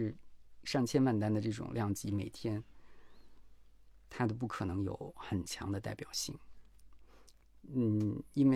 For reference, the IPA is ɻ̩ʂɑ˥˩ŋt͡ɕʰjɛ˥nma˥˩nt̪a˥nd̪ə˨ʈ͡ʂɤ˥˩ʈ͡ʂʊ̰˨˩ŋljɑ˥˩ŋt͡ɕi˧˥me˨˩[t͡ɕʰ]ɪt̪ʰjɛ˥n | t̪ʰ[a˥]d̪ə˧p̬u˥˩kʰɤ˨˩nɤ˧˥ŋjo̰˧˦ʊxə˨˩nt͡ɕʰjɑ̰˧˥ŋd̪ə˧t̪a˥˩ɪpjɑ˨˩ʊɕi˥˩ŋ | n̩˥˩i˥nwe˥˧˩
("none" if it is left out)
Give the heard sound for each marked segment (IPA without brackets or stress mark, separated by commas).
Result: none, a˥